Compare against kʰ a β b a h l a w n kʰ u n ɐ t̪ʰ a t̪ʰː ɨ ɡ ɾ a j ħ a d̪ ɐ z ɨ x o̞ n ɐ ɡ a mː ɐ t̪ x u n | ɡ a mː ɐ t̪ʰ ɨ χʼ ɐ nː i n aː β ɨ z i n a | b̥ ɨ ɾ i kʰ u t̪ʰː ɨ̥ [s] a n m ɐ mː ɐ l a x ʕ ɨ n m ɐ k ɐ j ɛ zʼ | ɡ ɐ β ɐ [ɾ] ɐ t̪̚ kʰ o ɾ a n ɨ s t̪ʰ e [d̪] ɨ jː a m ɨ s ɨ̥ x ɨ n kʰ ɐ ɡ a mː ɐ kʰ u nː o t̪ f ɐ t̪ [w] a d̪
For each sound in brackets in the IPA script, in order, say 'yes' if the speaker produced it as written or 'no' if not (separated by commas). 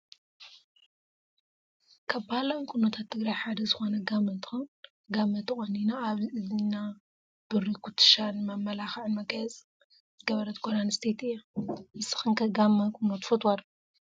no, yes, no, yes